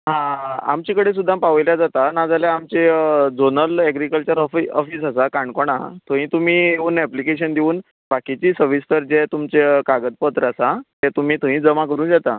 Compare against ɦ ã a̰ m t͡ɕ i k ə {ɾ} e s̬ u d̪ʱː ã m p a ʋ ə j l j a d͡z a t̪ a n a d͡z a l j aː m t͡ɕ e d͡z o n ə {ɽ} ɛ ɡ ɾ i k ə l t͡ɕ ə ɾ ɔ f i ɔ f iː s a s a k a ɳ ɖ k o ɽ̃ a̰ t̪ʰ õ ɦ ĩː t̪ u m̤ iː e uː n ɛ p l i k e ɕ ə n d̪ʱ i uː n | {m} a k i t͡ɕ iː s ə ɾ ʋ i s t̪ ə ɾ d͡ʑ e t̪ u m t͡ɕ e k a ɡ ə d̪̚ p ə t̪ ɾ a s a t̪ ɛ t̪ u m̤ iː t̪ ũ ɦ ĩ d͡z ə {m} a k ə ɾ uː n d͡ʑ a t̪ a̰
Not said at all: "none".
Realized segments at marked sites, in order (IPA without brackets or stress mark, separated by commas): ɽ, l, b, m